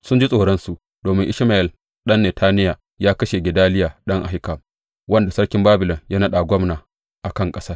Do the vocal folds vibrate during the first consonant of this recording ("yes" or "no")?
no